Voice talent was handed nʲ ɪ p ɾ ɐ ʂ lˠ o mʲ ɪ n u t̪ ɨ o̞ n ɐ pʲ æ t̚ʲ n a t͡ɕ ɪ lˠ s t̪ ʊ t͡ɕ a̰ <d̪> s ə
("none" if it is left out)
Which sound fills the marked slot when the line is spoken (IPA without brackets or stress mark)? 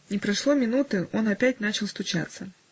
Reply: t̪